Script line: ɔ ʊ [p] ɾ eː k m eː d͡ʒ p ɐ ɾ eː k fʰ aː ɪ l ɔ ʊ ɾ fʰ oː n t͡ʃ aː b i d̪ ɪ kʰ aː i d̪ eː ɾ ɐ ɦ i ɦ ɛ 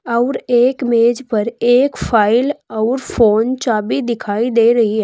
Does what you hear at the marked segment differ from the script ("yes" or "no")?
yes